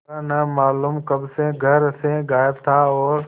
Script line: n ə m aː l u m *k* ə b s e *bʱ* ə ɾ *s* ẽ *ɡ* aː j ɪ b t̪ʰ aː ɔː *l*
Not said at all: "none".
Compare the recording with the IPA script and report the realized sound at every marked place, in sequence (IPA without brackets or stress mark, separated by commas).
k, ɡʱ, s, ɡ, ɾ